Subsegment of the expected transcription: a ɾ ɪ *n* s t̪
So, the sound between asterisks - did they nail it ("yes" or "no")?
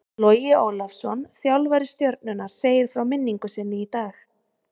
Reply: no